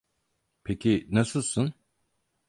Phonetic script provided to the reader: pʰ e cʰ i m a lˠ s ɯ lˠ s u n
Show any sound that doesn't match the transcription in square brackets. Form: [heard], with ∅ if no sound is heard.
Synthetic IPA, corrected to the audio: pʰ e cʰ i [n] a [∅] s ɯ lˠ s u n